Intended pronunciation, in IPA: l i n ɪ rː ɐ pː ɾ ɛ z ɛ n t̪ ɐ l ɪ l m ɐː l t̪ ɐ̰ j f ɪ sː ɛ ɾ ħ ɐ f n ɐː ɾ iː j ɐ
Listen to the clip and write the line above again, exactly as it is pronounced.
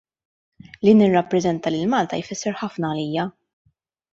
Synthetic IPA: l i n ɪ rː ɐ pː ɾ ɛ z ɛ n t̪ ɐ l ɪ l m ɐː l t̪ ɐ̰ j f ɪ sː ɛ ɾ ħ ɐ f n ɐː l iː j ɐ